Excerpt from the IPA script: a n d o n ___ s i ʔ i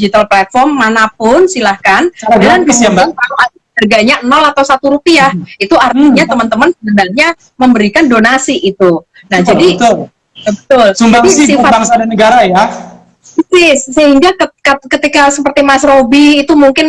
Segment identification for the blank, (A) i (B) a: B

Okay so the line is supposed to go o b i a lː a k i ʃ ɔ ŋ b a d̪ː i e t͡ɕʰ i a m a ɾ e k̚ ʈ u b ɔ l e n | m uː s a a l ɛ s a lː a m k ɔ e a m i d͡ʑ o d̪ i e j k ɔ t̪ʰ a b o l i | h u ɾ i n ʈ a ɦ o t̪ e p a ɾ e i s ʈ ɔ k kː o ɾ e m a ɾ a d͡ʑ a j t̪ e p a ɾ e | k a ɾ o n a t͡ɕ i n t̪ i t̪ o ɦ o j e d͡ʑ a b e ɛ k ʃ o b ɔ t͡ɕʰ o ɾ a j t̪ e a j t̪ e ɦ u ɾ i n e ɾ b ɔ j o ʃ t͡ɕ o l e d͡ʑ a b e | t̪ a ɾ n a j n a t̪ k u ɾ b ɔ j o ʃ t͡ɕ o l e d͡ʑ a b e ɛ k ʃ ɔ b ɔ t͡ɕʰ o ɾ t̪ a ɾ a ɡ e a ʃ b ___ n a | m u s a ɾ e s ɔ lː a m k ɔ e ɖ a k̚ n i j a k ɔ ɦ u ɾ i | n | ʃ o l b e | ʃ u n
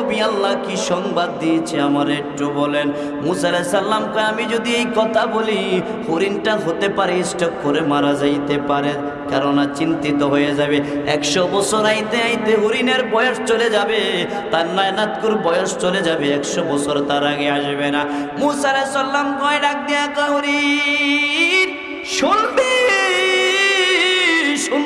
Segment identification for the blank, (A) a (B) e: B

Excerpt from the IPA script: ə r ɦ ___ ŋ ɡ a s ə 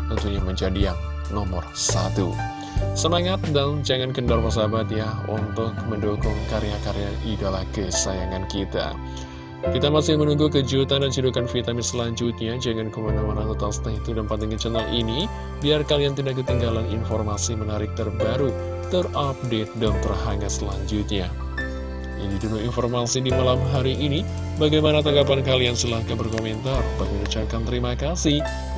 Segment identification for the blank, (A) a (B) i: A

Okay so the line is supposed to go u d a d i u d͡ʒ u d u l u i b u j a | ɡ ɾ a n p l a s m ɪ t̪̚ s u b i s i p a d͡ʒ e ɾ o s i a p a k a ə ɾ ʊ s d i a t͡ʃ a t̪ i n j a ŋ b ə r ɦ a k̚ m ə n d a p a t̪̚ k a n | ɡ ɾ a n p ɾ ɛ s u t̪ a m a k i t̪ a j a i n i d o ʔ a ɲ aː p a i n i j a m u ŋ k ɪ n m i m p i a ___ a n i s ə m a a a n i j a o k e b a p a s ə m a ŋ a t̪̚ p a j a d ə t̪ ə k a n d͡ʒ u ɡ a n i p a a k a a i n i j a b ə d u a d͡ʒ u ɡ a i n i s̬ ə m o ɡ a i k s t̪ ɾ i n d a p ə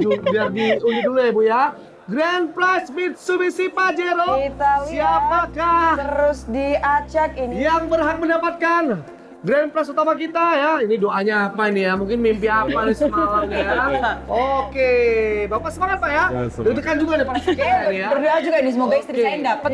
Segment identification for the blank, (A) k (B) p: B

